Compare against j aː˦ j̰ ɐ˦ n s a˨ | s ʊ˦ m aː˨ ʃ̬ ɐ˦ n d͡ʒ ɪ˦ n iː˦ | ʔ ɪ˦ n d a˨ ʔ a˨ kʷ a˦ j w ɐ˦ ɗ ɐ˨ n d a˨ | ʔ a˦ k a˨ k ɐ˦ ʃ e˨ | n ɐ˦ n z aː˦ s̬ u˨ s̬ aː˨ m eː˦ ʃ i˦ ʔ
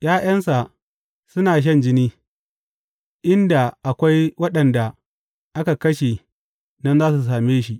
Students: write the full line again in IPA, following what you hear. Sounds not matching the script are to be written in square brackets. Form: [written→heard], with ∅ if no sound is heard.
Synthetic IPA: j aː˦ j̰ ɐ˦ n s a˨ | s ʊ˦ [m→n] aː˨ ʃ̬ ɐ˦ n d͡ʒ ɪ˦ n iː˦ | ʔ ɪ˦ n d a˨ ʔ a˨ kʷ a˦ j w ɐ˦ ɗ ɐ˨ n d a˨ | ʔ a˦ k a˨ k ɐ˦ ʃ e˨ | n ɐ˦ n z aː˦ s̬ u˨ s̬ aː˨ m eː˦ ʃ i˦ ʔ